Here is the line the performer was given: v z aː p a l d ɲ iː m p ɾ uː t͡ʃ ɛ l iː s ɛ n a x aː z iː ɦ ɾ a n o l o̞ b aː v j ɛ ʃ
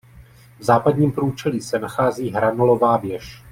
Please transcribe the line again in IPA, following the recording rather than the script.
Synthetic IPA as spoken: v z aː p a d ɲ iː m p ɾ uː t͡ʃ ɛ l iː s ɛ n a x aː z iː ɦ ɾ a n o l o̞ v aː v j ɛ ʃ